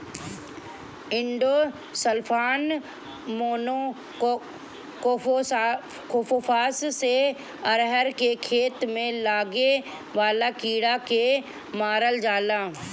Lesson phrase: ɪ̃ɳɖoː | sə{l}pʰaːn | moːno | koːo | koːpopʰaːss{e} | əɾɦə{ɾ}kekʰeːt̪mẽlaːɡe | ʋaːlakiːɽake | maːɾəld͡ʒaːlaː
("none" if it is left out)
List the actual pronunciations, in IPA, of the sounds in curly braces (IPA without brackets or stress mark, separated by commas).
l, e, ɾ